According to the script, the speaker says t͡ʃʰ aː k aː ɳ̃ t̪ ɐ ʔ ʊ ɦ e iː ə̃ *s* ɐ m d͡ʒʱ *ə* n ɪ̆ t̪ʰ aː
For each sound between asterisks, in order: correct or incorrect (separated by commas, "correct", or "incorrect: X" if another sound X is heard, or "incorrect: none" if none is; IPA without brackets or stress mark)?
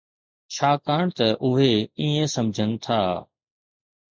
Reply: correct, correct